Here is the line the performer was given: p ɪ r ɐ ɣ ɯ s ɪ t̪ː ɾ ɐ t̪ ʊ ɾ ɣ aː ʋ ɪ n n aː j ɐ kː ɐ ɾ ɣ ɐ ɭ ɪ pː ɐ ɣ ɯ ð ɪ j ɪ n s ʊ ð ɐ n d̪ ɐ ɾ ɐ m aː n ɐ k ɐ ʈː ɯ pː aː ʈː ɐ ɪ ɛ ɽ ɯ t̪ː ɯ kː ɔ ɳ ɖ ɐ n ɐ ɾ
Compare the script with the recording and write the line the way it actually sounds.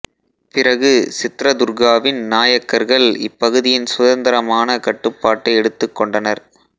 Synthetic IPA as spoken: p ɪ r ɐ ɣ ɯ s ɪ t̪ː ɾ ɐ d̪ ʊ ɾ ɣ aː ʋ ɪ n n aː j ɐ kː ɐ ɾ ɣ ɐ ɭ ɪ pː ɐ ɣ ɯ ð ɪ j ɪ n s ʊ ð ɐ n d̪ ɐ ɾ ɐ m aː n ɐ k ɐ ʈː ɯ pː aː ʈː ɐ ɪ ɛ ɽ ɯ t̪ː ɯ kː ɔ ɳ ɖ ɐ n ɐ ɾ

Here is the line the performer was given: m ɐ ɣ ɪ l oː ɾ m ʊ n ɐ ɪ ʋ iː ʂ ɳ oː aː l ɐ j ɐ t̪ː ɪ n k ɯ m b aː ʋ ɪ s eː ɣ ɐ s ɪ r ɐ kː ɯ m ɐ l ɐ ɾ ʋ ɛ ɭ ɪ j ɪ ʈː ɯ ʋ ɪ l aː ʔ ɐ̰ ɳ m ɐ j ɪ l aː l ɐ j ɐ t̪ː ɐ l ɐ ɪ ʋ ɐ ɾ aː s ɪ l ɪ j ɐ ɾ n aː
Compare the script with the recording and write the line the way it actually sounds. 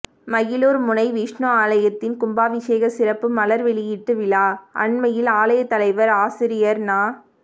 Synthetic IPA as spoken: m ɐ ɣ ɪ l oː ɾ m ʊ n ɐ ɪ ʋ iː ʂ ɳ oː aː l ɐ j ɐ t̪ː ɪ n k ʊ m b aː ʋ ɪ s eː ɣ ɐ s ɪ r ɐ pː ɯ m ɐ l ɐ ɾ ʋ ɛ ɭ ɪ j ɪ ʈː ɯ ʋ ɪ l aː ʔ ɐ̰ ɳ m ɐ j ɪ l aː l ɐ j ɐ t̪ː ɐ l ɐ ɪ ʋ ɐ ɾ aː s ɪ ɾ ɪ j ɐ ɾ n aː

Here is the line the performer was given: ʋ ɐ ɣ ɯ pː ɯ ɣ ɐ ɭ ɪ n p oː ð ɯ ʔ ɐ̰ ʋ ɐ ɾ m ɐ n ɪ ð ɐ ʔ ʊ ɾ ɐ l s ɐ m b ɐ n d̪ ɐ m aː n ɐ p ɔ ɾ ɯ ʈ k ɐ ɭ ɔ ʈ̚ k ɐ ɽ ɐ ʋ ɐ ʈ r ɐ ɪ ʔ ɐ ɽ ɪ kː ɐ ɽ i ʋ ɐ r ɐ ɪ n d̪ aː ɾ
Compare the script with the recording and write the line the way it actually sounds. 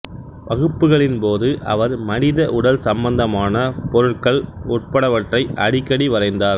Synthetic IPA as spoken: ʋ ɐ ɣ ɯ pː ɯ ɣ ɐ ɭ ɪ n p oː ð ɯ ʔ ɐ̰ ʋ ɐ ɾ m ɐ n ɪ ð ɐ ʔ ʊ ɽ ɐ l s ɐ m b ɐ n d̪ ɐ m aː n ɐ p ɔ ɾ ɯ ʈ k ɐ ɭ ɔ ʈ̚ p ɐ ɽ ɐ ʋ ɐ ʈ r ɐ ɪ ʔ ɐ ɽ ɪ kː ɐ ɽ i ʋ ɐ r ɐ ɪ n d̪ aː ɾ

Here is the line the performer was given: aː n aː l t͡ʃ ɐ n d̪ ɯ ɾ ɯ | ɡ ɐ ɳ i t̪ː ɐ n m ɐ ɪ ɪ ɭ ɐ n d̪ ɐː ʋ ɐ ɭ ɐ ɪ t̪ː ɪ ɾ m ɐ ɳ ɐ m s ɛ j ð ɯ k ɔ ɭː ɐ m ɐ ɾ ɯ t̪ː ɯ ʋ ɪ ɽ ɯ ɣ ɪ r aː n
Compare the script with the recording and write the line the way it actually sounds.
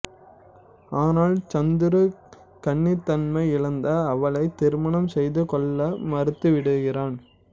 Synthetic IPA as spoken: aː n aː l t͡ʃ ɐ n d̪ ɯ ɾ ɯ | k ɐ ɳː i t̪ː ɐ n m ɐ ɪ ɪ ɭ ɐ n d̪ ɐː ʋ ɐ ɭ ɐ ɪ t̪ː ɪ ɾ m ɐ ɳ ɐ m s ɛ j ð ɯ k ɔ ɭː ɐ m ɐ ɾ ɯ t̪ː ɯ ʋ ɪ ɽ ɯ ɣ ɪ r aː n

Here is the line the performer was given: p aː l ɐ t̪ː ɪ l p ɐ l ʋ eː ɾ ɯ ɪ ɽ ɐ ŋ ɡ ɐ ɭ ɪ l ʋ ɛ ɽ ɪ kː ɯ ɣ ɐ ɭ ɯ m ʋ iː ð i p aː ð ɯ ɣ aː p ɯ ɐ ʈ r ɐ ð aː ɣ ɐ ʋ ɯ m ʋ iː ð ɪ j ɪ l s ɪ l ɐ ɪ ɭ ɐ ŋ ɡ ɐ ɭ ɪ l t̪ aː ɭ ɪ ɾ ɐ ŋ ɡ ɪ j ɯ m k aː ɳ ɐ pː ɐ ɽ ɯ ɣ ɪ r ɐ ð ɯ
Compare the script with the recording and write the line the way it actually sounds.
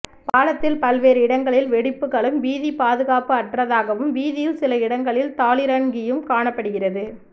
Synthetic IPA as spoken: p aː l ɐ t̪ː ɪ l p ɐ l ʋ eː ɾ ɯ ɪ ɽ ɐ ŋ ɡ ɐ ɭ ɪ l ʋ ɛ ɽ ɪ pː ɯ ɣ ɐ ɭ ɯ m ʋ iː ð i p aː ð ɯ ɣ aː p ɯ ɐ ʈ r ɐ ð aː ɣ ɐ ʋ ɯ m ʋ iː ð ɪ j ɪ l s ɪ l ɐ ɪ ɽ ɐ ŋ ɡ ɐ ɭ ɪ l t̪ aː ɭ ɪ ɾ ɐ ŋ ɡ ɪ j ɯ m k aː ɳ ɐ pː ɐ ɽ ɯ ɣ ɪ r ɐ ð ɯ

